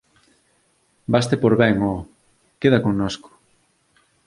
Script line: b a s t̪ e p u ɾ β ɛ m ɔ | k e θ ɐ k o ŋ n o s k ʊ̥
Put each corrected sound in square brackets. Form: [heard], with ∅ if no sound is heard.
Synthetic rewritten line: b a s t̪ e p [o] ɾ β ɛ [ŋ] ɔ | k e [ð] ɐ k o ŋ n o s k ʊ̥